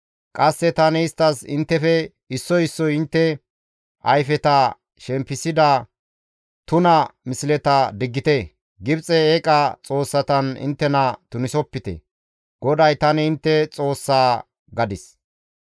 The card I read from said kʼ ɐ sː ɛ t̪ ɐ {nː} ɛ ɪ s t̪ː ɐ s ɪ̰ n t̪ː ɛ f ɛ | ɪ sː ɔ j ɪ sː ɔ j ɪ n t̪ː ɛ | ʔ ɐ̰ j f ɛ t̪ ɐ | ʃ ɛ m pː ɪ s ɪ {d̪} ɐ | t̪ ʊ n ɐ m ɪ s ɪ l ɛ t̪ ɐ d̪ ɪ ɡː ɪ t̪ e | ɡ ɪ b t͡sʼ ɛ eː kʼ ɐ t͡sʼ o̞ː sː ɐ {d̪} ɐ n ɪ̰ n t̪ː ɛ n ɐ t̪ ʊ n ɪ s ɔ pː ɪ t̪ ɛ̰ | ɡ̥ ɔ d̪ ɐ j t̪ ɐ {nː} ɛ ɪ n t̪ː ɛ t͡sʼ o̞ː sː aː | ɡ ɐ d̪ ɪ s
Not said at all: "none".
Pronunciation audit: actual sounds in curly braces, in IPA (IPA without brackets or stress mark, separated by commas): n, d̪, t̪, n